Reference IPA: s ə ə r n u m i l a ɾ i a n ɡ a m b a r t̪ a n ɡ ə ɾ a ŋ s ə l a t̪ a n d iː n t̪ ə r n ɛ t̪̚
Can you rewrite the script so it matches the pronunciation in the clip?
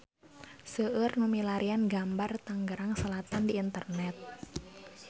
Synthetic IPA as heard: s ə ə r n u m i l a ɾ i a n ɡ a m b a r t̪ a ŋ ɡ ə ɾ a ŋ s ə l a t̪ a n d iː n t̪ ə r n ɛ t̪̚